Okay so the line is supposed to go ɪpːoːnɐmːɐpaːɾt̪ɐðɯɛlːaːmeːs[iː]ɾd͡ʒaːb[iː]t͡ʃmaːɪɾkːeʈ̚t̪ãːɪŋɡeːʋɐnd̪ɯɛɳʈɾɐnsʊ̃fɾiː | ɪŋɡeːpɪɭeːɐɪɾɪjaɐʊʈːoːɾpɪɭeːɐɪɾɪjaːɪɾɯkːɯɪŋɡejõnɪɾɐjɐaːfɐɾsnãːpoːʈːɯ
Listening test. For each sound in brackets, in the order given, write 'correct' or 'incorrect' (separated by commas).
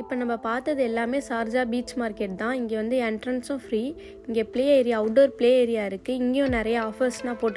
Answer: incorrect, correct